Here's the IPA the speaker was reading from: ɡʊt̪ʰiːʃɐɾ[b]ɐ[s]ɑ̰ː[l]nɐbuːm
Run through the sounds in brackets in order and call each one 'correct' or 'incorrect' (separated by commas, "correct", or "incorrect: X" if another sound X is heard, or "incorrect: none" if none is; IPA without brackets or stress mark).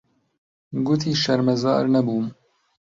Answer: incorrect: m, incorrect: z, incorrect: ɾ